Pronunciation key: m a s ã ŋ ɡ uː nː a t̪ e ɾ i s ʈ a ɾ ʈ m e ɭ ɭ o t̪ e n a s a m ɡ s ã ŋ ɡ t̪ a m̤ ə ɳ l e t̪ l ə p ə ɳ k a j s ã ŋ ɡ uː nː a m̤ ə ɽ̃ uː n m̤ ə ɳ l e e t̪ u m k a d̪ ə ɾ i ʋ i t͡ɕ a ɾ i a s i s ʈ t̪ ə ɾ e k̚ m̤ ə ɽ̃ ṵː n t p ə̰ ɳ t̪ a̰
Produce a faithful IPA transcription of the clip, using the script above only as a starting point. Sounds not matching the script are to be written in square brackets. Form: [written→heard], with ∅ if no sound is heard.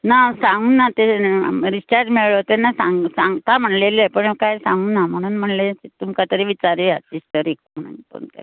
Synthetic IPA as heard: [m→n] a s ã ŋ ɡ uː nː a t̪ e ɾ i s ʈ a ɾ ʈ m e ɭ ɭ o t̪ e n a s a [m→ŋ] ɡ s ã ŋ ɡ t̪ a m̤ ə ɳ l e [t̪→∅] l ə p ə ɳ k a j s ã ŋ ɡ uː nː a m̤ ə ɽ̃ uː n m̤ ə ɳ l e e t̪ u m k a [d̪→t̪] ə ɾ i ʋ i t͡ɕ a ɾ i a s i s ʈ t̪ ə ɾ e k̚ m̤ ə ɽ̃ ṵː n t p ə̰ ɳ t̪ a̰